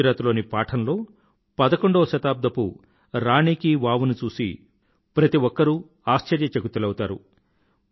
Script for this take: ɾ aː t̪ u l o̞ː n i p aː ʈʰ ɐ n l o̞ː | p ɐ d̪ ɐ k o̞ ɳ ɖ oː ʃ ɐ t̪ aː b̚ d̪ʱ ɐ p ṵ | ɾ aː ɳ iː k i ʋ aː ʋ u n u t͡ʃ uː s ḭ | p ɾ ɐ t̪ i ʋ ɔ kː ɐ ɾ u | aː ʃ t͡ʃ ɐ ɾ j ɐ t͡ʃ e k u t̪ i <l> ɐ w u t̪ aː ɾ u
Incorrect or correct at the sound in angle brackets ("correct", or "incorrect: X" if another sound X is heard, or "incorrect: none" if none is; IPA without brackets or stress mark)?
correct